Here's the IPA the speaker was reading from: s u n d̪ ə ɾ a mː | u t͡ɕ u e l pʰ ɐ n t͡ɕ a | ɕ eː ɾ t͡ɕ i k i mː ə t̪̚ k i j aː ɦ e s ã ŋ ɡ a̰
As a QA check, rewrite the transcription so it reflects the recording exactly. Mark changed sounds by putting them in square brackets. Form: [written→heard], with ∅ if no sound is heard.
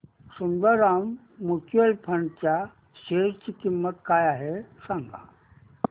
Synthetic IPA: s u n d̪ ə ɾ a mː | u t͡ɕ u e l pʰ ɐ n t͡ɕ a | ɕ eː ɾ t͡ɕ i k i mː ə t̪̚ k [i→a] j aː ɦ e s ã ŋ ɡ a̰